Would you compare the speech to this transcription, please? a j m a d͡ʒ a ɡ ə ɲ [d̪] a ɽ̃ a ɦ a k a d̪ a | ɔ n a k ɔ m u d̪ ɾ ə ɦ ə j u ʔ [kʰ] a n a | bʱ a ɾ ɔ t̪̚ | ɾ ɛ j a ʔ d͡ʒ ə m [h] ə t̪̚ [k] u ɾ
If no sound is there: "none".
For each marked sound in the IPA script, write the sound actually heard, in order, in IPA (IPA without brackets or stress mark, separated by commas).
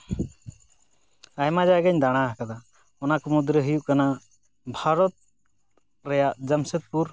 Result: d̪, k, s, p